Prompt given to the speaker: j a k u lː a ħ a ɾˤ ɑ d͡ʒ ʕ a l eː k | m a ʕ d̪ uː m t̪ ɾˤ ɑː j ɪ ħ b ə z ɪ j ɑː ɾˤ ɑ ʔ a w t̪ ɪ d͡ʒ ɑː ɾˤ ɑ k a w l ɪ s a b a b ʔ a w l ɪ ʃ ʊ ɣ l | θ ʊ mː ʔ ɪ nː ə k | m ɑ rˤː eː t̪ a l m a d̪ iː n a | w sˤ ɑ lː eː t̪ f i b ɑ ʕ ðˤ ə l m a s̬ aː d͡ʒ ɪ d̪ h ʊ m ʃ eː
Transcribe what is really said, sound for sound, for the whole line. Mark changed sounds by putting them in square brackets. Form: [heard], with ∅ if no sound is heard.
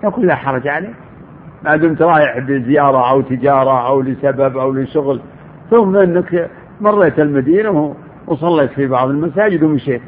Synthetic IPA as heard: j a k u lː a ħ [ɑ] ɾˤ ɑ d͡ʒ ʕ a l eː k | m a ʕ d̪ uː m t̪ ɾˤ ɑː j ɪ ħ b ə z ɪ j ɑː ɾˤ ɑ ʔ a w t̪ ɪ d͡ʒ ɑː ɾˤ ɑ [ʔ] a w l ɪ s a b a b ʔ a w l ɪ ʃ ʊ ɣ l | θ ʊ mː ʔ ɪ nː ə k | m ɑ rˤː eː t̪ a l m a d̪ iː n a | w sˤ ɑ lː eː t̪ f i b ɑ ʕ ðˤ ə l m a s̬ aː d͡ʒ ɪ d̪ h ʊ m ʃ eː